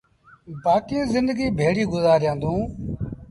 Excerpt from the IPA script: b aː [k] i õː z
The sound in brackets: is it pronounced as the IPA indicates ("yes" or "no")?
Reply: yes